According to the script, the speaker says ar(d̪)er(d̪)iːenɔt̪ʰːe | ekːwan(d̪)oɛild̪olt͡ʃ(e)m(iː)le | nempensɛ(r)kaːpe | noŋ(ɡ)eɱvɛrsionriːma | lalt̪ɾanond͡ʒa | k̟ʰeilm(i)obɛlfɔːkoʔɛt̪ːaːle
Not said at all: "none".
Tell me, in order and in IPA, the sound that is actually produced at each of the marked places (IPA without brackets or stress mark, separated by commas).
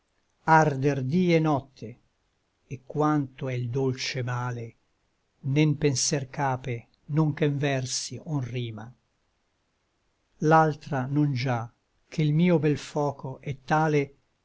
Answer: d̪, d̪, t̪, e, aː, r, k, iː